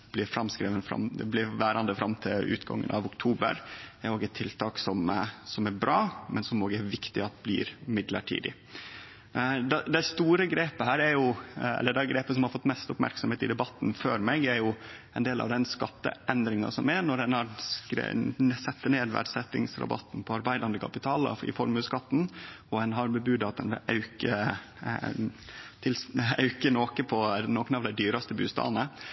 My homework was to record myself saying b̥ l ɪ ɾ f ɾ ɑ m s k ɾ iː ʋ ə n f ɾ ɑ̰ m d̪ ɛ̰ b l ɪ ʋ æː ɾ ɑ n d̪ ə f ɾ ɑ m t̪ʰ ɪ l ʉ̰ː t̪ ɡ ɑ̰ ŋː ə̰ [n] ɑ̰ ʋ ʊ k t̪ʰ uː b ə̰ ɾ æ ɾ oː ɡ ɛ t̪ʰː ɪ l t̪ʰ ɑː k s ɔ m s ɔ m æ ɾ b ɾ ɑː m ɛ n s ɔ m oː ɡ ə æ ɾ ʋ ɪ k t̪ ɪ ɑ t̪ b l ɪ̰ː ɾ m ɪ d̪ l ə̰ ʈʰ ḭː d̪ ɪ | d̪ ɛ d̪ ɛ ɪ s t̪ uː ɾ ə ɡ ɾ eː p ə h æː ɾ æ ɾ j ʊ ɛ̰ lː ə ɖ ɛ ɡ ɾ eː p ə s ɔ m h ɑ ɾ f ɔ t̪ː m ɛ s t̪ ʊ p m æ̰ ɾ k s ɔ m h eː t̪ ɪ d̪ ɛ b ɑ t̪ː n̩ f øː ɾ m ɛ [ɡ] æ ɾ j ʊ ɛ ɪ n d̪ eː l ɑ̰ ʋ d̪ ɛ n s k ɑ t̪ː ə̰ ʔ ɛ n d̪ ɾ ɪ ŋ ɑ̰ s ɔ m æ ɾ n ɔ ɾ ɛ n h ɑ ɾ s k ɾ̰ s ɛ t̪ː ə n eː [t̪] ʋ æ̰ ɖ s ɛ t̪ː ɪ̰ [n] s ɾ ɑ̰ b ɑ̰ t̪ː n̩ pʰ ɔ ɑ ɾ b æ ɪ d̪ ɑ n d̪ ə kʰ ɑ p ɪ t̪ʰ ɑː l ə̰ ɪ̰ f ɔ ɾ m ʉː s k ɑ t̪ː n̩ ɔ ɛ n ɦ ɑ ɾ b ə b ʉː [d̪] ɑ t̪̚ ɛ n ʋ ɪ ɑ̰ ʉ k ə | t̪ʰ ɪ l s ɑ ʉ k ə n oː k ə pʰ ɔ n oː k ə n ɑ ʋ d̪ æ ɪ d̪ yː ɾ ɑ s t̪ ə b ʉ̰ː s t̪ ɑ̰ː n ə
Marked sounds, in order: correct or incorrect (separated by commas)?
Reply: correct, correct, incorrect, incorrect, correct